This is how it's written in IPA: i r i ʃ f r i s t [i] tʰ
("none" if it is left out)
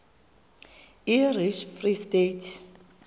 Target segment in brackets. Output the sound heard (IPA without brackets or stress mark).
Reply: e